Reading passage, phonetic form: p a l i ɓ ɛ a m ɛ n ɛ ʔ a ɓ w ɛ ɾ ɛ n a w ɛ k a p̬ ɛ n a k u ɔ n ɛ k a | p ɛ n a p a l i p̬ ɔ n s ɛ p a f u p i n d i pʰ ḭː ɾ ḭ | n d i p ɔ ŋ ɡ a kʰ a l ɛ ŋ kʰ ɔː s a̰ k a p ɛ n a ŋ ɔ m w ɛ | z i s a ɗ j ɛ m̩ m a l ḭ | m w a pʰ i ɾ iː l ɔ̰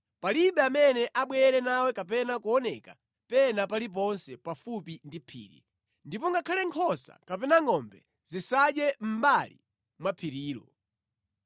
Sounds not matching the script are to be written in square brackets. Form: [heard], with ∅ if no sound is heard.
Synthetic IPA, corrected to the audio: p a l i ɓ ɛ a m ɛ n ɛ ʔ a ɓ w ɛ ɾ ɛ n a w ɛ k a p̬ ɛ n a k u ɔ n ɛ k a | p ɛ n a p a l i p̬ ɔ n s ɛ p a f u p i n d i pʰ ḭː ɾ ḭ | n d i p ɔ ŋ ɡ a kʰ a l ɛ ŋ kʰ [ɔ] s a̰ k a p ɛ n a ŋ ɔ m [b] ɛ | z i s a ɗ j ɛ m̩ [b] a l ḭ | m w a pʰ i ɾ iː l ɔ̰